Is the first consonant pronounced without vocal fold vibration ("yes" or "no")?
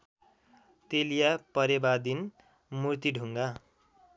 yes